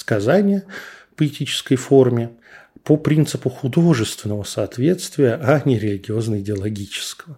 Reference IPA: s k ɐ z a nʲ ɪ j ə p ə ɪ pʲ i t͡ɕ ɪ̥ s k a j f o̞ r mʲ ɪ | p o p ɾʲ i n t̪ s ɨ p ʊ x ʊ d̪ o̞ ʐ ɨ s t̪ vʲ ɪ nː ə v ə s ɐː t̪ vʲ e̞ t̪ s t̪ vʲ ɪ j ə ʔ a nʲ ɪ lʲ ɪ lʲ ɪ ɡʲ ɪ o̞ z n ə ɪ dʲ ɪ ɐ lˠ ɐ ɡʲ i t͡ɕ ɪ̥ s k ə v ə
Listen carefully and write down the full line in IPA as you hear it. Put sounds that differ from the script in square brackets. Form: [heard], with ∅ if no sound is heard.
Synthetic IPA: s k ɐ z a nʲ ɪ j ə p ə ɪ [tʲ] i t͡ɕ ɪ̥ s k [ə] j f o̞ r mʲ ɪ | p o p ɾʲ i n t̪ s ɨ p ʊ x ʊ d̪ o̞ ʐ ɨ s t̪ vʲ ɪ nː ə v ə s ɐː t̪ vʲ e̞ t̪ s t̪ vʲ ɪ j ə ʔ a nʲ ɪ [ɾʲ] ɪ lʲ ɪ ɡʲ ɪ o̞ z n ə ɪ dʲ ɪ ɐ lˠ ɐ ɡʲ i t͡ɕ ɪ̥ s k ə v ə